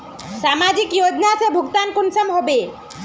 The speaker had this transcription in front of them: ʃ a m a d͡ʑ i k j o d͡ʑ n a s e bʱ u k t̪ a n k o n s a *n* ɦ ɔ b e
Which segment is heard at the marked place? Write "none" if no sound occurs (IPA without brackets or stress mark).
m